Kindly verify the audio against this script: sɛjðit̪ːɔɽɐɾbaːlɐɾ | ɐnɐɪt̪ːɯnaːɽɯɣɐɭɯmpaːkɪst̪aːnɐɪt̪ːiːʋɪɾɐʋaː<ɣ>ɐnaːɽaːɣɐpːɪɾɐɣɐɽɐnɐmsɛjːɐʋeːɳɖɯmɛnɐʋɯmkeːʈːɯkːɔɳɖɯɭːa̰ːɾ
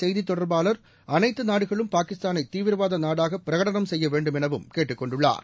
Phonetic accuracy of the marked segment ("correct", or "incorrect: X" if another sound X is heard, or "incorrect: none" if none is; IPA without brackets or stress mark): incorrect: ð